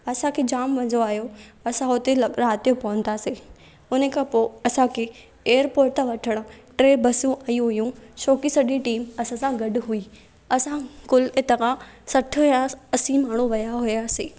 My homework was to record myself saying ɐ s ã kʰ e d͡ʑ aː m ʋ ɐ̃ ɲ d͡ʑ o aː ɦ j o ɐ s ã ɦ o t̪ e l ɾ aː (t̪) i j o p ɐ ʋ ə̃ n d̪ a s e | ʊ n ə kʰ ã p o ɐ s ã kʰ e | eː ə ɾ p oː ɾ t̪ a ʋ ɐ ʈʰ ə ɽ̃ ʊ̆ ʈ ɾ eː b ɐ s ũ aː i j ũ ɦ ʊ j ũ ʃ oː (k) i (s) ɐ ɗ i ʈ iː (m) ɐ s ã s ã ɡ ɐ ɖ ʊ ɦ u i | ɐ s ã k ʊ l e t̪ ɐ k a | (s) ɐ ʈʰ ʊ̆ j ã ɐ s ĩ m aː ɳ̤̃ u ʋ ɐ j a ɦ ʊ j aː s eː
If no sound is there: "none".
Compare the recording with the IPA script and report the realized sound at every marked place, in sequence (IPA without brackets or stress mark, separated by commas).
t̪, k, s, m, s